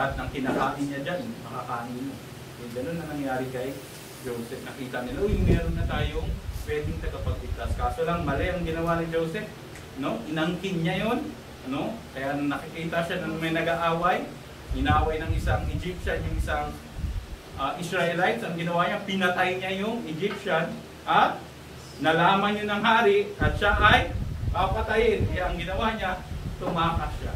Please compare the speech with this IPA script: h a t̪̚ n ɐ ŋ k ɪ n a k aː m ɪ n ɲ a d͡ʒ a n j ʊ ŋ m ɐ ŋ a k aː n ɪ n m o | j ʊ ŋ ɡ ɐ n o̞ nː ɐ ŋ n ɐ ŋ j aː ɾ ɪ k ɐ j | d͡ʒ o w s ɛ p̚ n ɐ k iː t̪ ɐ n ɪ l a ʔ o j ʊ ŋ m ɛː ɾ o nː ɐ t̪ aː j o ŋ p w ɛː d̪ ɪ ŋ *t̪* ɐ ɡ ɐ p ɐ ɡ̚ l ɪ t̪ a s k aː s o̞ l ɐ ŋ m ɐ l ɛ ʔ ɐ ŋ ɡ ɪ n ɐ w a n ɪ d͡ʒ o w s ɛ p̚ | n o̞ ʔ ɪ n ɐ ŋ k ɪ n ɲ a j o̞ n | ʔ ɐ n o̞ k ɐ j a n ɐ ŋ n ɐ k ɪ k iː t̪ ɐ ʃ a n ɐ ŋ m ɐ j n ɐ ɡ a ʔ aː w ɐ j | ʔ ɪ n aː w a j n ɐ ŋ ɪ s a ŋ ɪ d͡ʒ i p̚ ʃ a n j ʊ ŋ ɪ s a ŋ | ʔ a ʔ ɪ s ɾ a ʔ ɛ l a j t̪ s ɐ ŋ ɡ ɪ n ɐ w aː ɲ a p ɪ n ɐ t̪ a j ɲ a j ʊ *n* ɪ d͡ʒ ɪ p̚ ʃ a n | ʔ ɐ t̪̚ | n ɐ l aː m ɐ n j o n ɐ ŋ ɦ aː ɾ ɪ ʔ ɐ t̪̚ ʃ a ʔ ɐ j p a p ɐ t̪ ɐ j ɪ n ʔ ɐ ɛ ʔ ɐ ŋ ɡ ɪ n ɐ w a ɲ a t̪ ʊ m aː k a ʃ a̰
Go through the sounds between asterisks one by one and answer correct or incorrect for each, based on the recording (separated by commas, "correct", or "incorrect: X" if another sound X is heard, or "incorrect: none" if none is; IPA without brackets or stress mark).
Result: correct, incorrect: ŋ